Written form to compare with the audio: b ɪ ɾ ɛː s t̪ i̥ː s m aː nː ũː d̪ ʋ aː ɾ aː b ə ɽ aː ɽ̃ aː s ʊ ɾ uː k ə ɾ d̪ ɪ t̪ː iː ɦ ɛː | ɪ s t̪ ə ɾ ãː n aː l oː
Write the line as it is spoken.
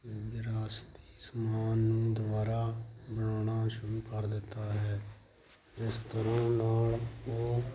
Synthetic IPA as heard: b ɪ ɾ aː s t̪ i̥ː s m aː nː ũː d̪ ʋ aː ɾ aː b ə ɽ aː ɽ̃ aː ʃ ʊ ɾ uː k ə ɾ d̪ ɪ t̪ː aː ɦ ɛː | ɪ s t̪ ə ɾ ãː n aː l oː

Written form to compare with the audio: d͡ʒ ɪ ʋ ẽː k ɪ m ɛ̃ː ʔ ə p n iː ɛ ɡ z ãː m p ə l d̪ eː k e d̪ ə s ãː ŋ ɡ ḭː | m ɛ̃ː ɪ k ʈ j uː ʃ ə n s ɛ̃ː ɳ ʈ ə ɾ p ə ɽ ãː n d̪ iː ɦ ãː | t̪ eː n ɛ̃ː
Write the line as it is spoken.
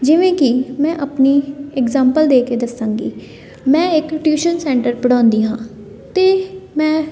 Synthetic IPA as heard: d͡ʒ ɪ ʋ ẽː k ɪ m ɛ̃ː ʔ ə p n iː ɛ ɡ z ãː m p ə l d̪ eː k e d̪ ə s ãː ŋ ɡ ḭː | m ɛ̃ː ɪ k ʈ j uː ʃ ə n s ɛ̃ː ɳ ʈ ə ɾ p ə ɽ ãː n d̪ iː ɦ ãː | t̪ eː m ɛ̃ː

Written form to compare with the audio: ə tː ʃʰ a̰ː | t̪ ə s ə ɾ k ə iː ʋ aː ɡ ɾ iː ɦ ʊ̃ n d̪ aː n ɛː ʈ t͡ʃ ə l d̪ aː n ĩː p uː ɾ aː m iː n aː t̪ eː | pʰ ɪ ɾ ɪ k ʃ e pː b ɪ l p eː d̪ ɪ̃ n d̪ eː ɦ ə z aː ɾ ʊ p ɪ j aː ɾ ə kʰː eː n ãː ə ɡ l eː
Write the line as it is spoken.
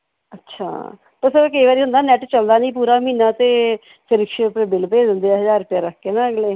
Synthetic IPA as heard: ə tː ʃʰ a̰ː | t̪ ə s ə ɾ k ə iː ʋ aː ɾ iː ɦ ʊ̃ n d̪ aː n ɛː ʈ t͡ʃ ə l d̪ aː n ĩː p uː ɾ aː m iː n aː t̪ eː | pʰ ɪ ɾ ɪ k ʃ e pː b ɪ l p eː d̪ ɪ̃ n d̪ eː ɦ ə z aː ɾ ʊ p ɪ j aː ɾ ə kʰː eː n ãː ə ɡ l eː

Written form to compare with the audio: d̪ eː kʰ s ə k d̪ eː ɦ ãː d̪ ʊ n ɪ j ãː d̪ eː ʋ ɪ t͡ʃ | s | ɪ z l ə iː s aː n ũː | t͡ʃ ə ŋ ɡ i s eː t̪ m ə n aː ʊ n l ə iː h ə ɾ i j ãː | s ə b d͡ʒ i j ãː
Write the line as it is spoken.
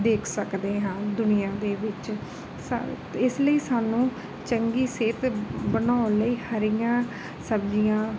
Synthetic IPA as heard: d̪ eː kʰ s ə k d̪ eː ɦ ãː d̪ ʊ n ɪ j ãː d̪ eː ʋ ɪ t͡ʃ | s | ɪ s l ə iː s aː n ũː | t͡ʃ ə ŋ ɡ iː s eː t̪ b ə n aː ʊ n l ə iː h ə ɾ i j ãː | s ə b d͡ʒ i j ãː

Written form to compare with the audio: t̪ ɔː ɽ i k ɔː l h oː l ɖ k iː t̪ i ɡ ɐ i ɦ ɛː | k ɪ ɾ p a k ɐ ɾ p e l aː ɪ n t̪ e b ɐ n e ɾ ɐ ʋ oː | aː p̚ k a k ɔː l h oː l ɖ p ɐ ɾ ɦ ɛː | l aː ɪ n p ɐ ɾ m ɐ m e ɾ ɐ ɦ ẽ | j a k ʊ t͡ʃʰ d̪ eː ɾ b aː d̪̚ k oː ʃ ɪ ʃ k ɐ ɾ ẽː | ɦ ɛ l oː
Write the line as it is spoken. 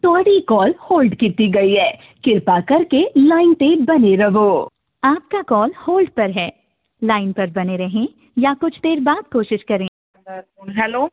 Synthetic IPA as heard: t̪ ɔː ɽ i k ɔː l h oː l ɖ k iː t̪ i ɡ ɐ i ɦ ɛː | k ɪ ɾ p a k ɐ ɾ k e l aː ɪ n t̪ e b ɐ n e ɾ ɐ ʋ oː | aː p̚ k a k ɔː l h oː l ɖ p ɐ ɾ ɦ ɛː | l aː ɪ n p ɐ ɾ b ɐ n e ɾ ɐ ɦ ẽ | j a k ʊ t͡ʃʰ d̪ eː ɾ b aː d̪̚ k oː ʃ ɪ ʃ k ɐ ɾ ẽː | ɦ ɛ l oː

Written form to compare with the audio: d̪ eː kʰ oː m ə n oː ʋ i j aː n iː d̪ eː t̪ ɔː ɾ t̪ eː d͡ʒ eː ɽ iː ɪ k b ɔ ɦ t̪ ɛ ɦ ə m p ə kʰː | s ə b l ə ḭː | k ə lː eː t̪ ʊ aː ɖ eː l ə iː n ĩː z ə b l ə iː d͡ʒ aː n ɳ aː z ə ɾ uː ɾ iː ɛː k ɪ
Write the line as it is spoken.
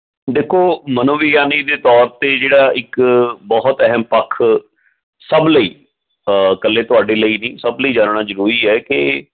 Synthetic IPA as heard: d̪ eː kʰ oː m ə n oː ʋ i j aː n iː d̪ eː t̪ ɔː ɾ t̪ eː d͡ʒ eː ɽ aː ɪ k b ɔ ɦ t̪ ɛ ɦ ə m p ə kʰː | s ə b l ə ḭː | k ə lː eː t̪ ʊ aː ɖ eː l ə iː n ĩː s ə b l ə iː d͡ʒ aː n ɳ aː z ə ɾ uː ɾ iː ɛː k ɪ

